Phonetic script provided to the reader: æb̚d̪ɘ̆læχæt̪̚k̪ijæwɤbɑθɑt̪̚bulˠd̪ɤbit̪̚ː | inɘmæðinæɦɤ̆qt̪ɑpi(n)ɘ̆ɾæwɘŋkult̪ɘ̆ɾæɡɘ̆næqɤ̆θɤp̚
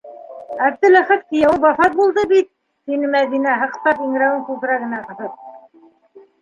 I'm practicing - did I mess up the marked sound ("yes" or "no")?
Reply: yes